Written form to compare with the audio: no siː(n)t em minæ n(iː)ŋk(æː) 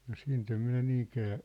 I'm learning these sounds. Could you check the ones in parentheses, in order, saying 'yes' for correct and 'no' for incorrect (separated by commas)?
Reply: yes, yes, yes